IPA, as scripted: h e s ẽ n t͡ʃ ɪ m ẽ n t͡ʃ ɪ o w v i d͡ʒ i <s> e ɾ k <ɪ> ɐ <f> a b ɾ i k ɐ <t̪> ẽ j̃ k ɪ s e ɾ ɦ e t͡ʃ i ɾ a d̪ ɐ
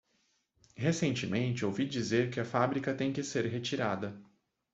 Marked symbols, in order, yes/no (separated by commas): no, yes, yes, yes